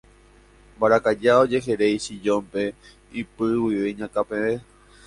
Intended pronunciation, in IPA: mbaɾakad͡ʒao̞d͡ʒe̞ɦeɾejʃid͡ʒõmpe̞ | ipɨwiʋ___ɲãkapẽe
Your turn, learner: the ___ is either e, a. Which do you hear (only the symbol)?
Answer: e